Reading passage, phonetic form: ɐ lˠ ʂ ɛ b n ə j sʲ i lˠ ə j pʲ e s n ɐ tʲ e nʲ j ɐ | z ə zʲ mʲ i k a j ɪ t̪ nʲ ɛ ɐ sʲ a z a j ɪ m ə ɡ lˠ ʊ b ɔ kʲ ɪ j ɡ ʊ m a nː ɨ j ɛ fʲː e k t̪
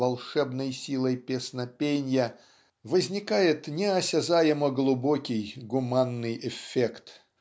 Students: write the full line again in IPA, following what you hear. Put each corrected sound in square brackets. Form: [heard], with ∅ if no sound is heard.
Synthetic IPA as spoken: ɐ lˠ ʂ ɛ b n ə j sʲ i lˠ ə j pʲ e s n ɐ [pʲ] e nʲ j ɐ | [v] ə zʲ [nʲ] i k a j ɪ t̪ nʲ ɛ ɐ sʲ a z a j ɪ m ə ɡ lˠ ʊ b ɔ kʲ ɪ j ɡ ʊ m a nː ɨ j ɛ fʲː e k t̪

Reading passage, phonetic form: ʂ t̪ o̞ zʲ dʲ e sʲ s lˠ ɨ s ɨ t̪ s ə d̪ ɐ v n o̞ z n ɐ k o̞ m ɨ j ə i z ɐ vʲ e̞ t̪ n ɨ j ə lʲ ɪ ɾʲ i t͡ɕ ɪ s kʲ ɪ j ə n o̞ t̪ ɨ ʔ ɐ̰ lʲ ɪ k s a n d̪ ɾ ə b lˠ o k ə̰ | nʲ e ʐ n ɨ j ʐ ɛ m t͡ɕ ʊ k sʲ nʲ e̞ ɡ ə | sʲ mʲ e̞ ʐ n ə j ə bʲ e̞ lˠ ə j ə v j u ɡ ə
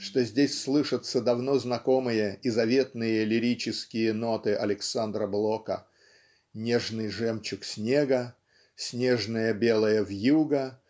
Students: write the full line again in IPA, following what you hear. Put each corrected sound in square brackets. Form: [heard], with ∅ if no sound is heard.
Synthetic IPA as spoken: ʂ t̪ o̞ zʲ dʲ e sʲ s lˠ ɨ [ʂ] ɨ t̪ s ə d̪ ɐ v n o̞ z n ɐ k o̞ m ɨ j ə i z ɐ vʲ e̞ t̪ n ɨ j ə lʲ ɪ ɾʲ i t͡ɕ ɪ s kʲ ɪ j ə n o̞ t̪ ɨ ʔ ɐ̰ lʲ ɪ k s a n d̪ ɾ ə b lˠ o k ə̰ | nʲ e ʐ n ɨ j ʐ ɛ m t͡ɕ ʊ k sʲ nʲ e̞ ɡ ə | sʲ [nʲ] e̞ ʐ n ə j ə bʲ e̞ lˠ ə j ə v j u ɡ ə

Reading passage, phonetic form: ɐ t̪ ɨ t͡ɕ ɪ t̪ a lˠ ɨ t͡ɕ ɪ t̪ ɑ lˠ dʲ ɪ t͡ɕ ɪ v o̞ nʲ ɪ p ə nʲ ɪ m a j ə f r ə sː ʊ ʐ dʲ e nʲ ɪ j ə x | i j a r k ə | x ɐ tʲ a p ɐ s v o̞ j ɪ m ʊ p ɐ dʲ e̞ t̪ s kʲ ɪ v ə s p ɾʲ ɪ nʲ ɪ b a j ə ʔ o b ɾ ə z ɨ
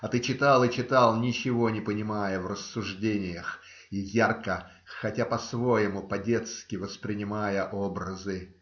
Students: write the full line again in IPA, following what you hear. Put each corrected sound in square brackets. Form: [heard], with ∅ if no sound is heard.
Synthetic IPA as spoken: ɐ t̪ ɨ t͡ɕ ɪ t̪ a lˠ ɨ t͡ɕ ɪ t̪ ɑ lˠ [nʲ] ɪ t͡ɕ ɪ v o̞ nʲ ɪ p ə nʲ ɪ m a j ə [v] r ə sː ʊ ʐ dʲ e nʲ ɪ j ə x | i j a r k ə | x ɐ tʲ a p ɐ s v o̞ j ɪ m ʊ p ɐ dʲ e̞ t̪ s kʲ ɪ v ə s p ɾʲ ɪ nʲ ɪ [m] a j ə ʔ o b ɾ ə z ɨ

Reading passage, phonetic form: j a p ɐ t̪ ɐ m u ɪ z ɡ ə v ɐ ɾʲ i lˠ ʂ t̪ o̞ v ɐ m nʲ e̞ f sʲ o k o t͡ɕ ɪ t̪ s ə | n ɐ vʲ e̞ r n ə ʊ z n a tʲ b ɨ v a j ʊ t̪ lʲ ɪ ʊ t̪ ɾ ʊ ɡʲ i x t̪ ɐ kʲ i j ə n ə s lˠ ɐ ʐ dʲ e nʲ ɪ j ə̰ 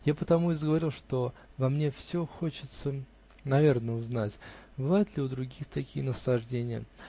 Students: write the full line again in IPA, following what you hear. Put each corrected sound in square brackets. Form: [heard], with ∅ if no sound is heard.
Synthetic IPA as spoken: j a p [ə] t̪ ɐ m u ɪ z ɡ ə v ɐ ɾʲ i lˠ ʂ t̪ o̞ v ɐ m nʲ e̞ f sʲ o [x] o t͡ɕ ɪ t̪ s ə | n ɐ vʲ e̞ r n ə ʊ z n a tʲ b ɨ v a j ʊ t̪ lʲ ɪ ʊ [d̪] ɾ ʊ ɡʲ i x t̪ ɐ kʲ i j ə n ə s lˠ ɐ ʐ dʲ e nʲ ɪ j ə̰

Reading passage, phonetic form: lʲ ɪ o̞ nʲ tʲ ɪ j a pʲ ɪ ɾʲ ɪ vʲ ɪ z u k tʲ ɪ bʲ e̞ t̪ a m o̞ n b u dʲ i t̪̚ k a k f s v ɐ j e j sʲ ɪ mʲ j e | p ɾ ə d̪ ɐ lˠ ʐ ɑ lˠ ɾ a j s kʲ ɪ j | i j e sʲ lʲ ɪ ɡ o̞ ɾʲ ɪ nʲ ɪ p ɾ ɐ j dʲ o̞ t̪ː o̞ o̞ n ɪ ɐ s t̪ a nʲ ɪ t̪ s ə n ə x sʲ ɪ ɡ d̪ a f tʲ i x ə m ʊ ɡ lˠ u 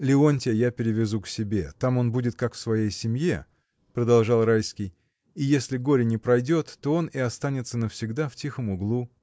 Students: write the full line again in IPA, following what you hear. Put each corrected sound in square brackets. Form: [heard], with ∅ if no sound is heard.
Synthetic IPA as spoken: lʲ ɪ o̞ nʲ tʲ ɪ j a pʲ ɪ ɾʲ ɪ vʲ ɪ z u k [sʲ] ɪ bʲ e̞ t̪ a m o̞ n b u dʲ [ɪ] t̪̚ k a k f s v ɐ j e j sʲ ɪ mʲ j e | p ɾ ə d̪ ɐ lˠ ʐ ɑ lˠ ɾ a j s kʲ ɪ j | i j e sʲ lʲ ɪ ɡ o̞ ɾʲ ɪ nʲ ɪ p ɾ ɐ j dʲ o̞ t̪ː o̞ o̞ n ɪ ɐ s t̪ a nʲ ɪ t̪ s ə n ə [f] sʲ ɪ ɡ d̪ a f tʲ i x ə m ʊ ɡ lˠ u

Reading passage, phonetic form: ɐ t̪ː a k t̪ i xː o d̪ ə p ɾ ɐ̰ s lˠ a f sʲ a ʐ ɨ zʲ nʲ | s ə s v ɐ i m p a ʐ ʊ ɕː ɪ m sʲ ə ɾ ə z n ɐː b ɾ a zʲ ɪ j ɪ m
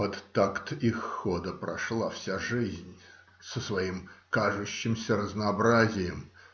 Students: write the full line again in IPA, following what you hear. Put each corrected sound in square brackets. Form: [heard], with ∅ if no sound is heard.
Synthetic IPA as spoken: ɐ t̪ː a k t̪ i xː o d̪ ə p ɾ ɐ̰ [ʂ] lˠ a f sʲ a ʐ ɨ zʲ nʲ | s ə s v ɐ i m [k] a ʐ ʊ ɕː ɪ m sʲ ə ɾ ə z n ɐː b ɾ a zʲ ɪ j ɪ m

